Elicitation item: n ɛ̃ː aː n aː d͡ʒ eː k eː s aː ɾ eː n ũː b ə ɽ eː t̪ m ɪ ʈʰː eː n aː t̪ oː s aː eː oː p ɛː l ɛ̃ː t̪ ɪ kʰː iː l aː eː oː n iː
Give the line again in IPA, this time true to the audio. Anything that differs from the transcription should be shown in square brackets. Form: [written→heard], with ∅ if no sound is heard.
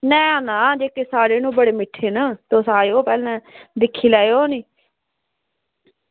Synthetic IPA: n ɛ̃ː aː n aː d͡ʒ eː k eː s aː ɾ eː n ũː b ə ɽ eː [t̪→∅] m ɪ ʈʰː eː n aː t̪ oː s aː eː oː p ɛː l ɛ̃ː [t̪→d̪] ɪ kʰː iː l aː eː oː n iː